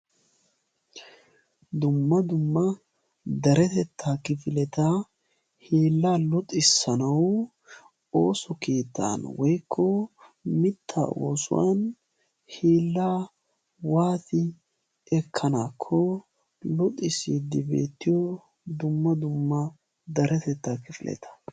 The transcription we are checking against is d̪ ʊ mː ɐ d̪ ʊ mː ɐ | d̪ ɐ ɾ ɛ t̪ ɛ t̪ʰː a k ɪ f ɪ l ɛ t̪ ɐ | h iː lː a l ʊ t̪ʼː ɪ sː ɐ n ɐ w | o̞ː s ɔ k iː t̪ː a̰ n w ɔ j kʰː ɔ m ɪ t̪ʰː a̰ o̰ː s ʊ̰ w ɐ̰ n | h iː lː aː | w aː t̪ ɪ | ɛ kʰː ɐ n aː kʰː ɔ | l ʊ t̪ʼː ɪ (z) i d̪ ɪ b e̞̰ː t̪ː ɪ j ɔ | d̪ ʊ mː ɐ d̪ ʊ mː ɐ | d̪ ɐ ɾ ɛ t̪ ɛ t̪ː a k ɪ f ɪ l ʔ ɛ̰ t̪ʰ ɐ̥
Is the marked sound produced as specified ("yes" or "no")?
no